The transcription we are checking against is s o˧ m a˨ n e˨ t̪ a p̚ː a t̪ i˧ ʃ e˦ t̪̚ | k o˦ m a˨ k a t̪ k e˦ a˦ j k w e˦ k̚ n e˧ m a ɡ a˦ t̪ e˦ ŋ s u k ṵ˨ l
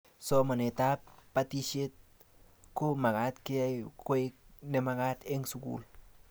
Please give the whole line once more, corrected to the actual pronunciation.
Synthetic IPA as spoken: s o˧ m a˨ n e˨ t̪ a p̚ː a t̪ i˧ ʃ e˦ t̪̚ | k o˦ m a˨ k a t̪ k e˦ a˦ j k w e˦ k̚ n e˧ m a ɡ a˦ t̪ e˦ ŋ s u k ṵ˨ l